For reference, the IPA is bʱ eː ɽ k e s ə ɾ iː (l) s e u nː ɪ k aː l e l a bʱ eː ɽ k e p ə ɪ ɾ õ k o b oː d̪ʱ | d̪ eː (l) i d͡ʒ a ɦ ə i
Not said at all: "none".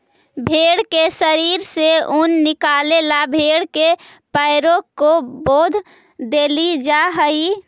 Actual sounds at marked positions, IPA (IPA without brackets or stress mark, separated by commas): ɾ, l